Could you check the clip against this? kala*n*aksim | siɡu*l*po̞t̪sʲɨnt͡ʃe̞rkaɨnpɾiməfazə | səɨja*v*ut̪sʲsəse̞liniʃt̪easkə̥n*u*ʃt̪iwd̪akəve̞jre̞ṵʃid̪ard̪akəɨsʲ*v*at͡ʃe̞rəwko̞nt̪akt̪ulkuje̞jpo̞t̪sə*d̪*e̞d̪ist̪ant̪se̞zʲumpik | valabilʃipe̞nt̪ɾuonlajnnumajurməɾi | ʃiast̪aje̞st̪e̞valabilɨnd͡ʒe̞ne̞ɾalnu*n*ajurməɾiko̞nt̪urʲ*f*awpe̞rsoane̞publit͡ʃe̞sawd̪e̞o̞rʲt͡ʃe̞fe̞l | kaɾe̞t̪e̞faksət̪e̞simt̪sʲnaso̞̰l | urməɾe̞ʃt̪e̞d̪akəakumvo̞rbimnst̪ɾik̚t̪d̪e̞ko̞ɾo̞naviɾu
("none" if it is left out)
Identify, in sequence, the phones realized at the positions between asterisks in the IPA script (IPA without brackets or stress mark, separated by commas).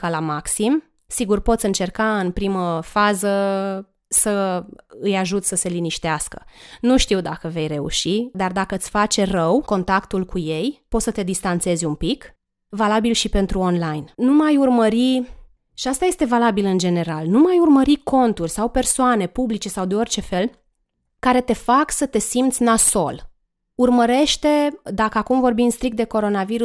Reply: m, r, ʒ, u, f, t̪, m, s